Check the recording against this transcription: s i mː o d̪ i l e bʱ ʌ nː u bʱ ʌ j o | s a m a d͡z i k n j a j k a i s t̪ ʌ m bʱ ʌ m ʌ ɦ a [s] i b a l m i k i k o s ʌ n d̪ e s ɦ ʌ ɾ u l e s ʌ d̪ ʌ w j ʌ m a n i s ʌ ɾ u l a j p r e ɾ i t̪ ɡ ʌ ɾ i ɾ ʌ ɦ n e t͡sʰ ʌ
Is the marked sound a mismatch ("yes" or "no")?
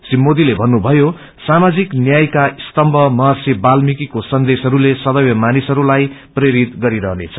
no